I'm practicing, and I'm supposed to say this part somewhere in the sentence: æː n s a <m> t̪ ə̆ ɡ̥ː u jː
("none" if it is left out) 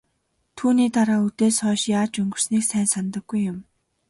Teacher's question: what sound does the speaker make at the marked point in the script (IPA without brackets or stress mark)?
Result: n